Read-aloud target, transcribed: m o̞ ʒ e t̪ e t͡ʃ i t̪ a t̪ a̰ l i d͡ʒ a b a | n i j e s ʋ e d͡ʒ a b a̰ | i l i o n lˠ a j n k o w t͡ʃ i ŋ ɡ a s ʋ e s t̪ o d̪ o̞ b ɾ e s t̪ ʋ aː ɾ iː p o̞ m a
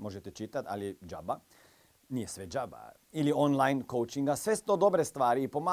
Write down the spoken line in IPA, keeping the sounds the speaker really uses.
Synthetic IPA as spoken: m o̞ ʒ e t̪ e t͡ʃ i t̪ a t̪ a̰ l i d͡ʒ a b a | n i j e s ʋ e d͡ʒ a b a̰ | i l i o n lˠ a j n k o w t͡ʃ i ŋ ɡ a s ʋ e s t̪ o d̪ o̞ b ɾ e s t̪ ʋ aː ɾ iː p o̞ m a